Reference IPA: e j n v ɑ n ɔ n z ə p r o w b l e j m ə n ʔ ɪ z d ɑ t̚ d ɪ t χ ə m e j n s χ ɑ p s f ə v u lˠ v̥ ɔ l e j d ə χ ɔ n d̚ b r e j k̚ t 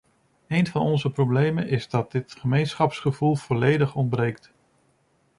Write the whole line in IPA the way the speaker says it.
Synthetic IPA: e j n v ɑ n ɔ n z ə p r o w b l e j m ə n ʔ ɪ z d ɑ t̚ d ɪ t χ ə m e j n s χ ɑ p s χ ə v u lˠ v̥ ɔ l e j d ə χ ɔ n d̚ b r e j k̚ t